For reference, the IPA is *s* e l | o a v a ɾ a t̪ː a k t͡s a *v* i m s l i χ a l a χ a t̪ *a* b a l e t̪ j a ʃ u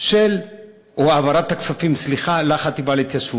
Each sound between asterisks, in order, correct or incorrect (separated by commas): incorrect, incorrect, incorrect